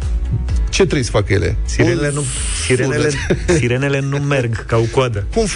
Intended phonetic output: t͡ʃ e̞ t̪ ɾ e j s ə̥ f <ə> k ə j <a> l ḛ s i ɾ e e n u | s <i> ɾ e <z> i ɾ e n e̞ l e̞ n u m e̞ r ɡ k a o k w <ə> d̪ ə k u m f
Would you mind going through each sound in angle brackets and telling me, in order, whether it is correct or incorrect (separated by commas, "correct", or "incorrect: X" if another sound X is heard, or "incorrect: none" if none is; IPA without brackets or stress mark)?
incorrect: a, incorrect: e, correct, incorrect: s, incorrect: a